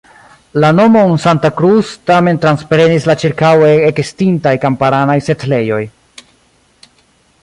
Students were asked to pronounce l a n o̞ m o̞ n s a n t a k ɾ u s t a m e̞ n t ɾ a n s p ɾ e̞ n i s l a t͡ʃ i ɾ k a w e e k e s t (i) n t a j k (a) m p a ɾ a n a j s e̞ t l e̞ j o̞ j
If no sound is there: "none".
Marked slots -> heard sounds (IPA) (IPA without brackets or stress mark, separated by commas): i, a